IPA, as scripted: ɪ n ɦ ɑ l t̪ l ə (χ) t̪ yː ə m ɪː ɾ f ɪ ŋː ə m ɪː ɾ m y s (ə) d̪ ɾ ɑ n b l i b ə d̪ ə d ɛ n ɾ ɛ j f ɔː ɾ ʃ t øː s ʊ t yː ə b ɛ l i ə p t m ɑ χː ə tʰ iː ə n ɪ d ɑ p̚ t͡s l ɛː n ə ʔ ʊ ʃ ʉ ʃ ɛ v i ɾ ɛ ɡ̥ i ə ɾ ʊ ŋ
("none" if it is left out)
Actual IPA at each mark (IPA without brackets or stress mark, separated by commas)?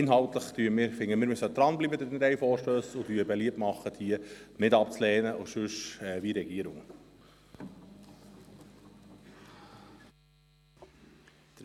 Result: χ, ə